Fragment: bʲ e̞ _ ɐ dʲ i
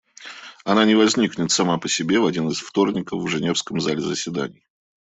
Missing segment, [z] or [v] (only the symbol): v